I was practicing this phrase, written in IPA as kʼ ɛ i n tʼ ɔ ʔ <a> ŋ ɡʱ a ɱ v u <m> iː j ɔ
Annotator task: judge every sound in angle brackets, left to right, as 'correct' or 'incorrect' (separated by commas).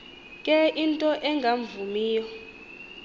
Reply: incorrect, correct